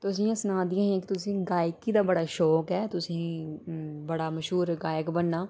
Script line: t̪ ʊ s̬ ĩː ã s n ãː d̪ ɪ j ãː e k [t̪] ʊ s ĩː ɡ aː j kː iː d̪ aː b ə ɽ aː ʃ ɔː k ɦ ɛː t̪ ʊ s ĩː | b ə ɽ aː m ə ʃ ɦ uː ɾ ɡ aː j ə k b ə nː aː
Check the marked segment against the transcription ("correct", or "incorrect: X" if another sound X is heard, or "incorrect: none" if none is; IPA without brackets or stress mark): correct